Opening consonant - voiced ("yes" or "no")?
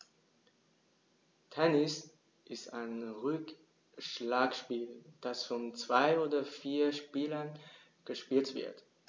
no